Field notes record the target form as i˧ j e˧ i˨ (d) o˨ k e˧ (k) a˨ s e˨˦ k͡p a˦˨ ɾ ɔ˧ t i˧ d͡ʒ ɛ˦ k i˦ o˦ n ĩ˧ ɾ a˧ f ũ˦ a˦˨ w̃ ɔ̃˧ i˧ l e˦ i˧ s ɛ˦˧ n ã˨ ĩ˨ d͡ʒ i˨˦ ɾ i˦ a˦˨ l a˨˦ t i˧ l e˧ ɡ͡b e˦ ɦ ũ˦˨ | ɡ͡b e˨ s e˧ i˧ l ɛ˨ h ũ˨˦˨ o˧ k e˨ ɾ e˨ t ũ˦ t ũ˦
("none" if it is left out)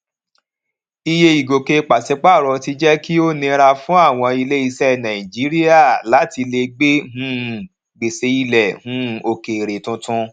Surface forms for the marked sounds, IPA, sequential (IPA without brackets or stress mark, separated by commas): ɡ, k͡p